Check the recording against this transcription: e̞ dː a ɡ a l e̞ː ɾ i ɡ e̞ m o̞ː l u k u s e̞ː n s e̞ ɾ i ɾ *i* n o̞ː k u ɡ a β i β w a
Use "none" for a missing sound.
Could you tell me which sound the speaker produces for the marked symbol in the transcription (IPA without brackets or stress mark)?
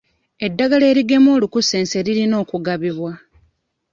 i